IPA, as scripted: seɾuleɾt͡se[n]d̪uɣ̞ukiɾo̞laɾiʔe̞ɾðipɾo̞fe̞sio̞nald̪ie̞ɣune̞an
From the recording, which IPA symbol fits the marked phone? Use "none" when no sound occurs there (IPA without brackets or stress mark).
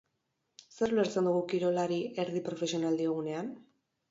n